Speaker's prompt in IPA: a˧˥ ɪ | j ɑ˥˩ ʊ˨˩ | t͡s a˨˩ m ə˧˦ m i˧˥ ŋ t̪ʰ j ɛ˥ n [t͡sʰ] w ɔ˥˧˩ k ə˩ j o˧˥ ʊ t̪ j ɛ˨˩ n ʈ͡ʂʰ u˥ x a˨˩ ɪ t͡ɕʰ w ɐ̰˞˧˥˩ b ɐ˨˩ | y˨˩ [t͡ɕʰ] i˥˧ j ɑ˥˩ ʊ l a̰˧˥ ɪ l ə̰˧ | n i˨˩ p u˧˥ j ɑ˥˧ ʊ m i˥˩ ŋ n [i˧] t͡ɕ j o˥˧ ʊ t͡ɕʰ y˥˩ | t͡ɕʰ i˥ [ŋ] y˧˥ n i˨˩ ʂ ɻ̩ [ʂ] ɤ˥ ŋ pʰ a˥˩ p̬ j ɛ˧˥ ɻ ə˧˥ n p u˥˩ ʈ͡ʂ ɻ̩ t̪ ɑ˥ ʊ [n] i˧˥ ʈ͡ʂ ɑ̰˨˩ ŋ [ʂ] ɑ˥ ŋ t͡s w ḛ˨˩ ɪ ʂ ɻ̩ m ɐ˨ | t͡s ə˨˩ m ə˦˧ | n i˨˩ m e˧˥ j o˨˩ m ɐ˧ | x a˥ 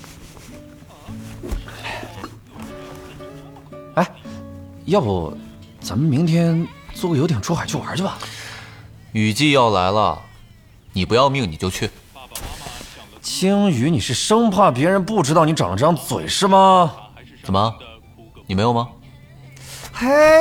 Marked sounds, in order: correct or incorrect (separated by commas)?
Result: incorrect, incorrect, incorrect, correct, correct, correct, incorrect